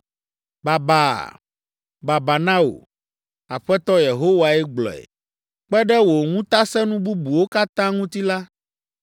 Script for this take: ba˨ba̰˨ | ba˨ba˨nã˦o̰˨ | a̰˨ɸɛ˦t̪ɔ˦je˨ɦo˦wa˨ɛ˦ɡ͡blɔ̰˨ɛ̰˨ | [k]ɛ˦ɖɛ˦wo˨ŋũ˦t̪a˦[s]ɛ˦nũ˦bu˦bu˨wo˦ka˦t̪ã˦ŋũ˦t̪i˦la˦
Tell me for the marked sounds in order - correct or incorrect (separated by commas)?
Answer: incorrect, correct